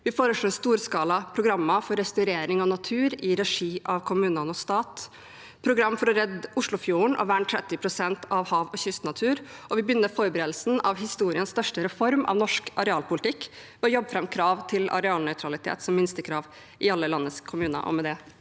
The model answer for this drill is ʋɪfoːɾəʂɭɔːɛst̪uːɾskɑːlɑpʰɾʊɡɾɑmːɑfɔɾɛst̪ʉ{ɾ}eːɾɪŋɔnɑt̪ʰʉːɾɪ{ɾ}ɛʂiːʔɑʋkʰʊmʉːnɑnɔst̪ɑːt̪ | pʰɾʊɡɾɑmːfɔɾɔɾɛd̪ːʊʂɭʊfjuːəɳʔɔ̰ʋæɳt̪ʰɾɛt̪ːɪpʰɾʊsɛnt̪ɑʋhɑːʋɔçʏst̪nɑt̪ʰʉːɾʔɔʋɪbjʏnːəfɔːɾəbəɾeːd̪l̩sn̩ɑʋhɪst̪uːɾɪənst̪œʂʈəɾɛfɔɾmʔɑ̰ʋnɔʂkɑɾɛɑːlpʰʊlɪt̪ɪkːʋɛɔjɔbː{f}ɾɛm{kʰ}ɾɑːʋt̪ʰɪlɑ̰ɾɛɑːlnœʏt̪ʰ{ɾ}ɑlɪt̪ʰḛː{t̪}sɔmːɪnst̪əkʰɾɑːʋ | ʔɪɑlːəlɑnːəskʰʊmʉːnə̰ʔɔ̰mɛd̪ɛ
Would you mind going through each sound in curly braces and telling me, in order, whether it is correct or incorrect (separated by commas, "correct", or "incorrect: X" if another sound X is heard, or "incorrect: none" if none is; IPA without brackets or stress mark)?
correct, correct, correct, correct, correct, correct